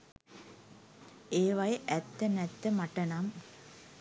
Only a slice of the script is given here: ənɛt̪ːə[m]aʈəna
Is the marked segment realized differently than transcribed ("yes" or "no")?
no